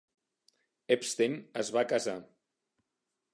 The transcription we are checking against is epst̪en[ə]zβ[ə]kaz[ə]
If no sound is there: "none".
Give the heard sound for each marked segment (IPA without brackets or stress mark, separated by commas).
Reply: ə, a, a